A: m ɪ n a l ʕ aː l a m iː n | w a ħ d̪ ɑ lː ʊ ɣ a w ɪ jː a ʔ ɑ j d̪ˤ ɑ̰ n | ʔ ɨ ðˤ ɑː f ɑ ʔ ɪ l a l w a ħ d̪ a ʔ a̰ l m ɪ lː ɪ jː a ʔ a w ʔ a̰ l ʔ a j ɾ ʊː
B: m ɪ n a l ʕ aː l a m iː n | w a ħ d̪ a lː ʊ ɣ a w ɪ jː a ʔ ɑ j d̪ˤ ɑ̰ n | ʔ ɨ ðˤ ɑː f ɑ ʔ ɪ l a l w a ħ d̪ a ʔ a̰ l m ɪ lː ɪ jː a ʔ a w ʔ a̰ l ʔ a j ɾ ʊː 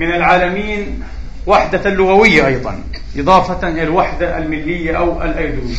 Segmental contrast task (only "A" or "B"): B